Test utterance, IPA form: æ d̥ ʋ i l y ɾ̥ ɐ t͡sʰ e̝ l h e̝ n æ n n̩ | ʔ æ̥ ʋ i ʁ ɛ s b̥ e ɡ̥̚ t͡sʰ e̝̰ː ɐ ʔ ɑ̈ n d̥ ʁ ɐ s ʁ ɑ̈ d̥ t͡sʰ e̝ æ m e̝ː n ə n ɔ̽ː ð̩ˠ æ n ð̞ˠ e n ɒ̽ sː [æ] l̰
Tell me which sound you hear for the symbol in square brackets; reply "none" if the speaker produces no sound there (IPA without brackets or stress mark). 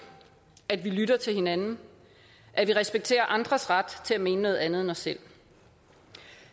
e